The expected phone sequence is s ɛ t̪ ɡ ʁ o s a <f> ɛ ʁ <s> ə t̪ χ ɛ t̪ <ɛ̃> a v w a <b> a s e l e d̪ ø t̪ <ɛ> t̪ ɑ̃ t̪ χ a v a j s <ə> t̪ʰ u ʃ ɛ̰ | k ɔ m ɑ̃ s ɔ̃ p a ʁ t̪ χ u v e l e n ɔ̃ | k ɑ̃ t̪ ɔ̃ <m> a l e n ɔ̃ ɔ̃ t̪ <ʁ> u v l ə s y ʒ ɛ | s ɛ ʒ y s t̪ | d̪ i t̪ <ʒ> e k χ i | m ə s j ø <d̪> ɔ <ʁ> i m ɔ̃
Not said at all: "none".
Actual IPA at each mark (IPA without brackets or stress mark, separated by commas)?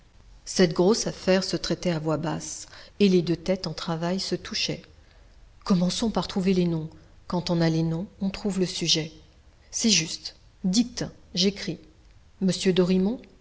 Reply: f, s, ɛ, b, ɛ, ə, n, χ, ʒ, d̪, ʁ